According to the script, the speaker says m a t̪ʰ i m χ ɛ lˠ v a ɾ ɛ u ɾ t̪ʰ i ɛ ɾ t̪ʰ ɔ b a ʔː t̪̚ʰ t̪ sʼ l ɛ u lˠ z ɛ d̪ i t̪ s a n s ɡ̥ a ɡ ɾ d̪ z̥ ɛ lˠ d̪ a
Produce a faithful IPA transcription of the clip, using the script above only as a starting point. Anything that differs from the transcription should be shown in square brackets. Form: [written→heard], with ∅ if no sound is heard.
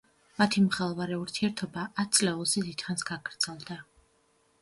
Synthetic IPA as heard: m a t̪ʰ i m χ ɛ lˠ v a ɾ ɛ u ɾ t̪ʰ i ɛ ɾ t̪ʰ ɔ b a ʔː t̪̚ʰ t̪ sʼ l ɛ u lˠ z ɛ d̪ i t̪ [s→χ] a n s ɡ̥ a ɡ ɾ d̪ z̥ ɛ lˠ d̪ a